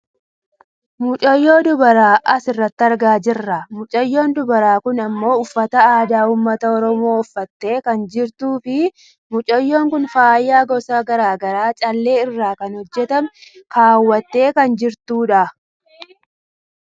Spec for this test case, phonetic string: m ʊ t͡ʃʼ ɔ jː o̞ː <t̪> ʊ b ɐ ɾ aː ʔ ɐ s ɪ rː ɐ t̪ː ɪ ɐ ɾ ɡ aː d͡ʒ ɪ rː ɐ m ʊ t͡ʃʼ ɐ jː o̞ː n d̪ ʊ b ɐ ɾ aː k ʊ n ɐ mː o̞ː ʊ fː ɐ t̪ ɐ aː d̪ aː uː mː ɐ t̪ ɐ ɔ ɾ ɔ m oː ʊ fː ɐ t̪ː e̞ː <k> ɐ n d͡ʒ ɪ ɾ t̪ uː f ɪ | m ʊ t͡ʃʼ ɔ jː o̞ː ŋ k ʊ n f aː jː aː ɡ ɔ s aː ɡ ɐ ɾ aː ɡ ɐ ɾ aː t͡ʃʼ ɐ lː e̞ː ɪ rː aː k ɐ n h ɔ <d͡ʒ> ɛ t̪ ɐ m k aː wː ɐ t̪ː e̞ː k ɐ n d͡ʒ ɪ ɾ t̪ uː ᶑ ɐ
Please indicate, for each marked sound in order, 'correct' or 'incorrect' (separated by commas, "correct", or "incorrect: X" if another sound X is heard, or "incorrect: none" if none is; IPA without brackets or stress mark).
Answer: incorrect: d̪, correct, incorrect: d͡ʒː